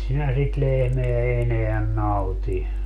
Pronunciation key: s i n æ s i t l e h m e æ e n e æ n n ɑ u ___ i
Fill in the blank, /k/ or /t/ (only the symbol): t